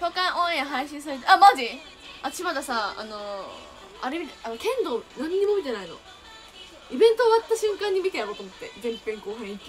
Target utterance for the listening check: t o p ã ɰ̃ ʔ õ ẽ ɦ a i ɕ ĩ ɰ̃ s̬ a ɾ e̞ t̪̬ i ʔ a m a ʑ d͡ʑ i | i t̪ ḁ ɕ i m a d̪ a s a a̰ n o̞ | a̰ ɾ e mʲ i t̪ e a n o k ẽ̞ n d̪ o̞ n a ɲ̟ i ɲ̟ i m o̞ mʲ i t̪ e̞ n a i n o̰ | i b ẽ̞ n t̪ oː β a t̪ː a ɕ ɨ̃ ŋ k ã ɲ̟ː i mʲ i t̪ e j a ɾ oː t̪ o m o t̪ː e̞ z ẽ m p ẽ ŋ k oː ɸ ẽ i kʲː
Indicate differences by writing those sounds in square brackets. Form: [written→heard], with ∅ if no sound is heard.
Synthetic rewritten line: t o [p→k] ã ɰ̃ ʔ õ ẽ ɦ a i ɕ ĩ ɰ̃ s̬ a ɾ e̞ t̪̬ [i→e] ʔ a m a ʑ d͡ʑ i | [i→a] t̪ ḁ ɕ i m a d̪ a s a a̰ n o̞ | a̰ ɾ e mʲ i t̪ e a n o k ẽ̞ n d̪ o̞ n a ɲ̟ i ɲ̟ i m o̞ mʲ i t̪ e̞ n a i n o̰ | i b ẽ̞ n t̪ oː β a t̪ː a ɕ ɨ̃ ŋ k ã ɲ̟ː i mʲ i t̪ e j a ɾ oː t̪ o m o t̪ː e̞ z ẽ m p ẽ ŋ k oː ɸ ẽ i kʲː